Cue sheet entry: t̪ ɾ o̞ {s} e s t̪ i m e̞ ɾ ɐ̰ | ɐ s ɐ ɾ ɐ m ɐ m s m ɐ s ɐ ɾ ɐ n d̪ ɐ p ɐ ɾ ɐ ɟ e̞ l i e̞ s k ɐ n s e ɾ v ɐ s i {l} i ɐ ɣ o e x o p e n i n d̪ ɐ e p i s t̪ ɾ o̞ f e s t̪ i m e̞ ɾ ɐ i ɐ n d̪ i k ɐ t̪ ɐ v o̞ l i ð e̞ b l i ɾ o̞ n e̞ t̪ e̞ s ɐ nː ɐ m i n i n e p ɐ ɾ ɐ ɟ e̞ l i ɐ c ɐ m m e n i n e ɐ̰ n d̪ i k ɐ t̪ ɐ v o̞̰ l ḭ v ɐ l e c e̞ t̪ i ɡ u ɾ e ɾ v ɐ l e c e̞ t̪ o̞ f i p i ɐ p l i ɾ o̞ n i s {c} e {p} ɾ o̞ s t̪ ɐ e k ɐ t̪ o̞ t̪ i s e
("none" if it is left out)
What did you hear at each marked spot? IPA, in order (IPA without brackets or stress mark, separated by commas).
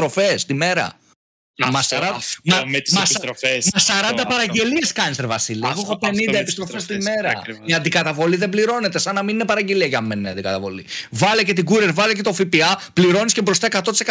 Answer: f, l, c, b